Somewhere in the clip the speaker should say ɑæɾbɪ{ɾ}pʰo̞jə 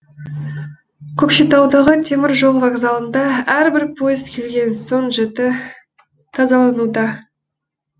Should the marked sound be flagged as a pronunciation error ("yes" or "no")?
no